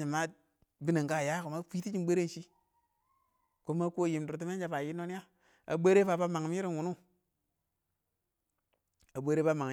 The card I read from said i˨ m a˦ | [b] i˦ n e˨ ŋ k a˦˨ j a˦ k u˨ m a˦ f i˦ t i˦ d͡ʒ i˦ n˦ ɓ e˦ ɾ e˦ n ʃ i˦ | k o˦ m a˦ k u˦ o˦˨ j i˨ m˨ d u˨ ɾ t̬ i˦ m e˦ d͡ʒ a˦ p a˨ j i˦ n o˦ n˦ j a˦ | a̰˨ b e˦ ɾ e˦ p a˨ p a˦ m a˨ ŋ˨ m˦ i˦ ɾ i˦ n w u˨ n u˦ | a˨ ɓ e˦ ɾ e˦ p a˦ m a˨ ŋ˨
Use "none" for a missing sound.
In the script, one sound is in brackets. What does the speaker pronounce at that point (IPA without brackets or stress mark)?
b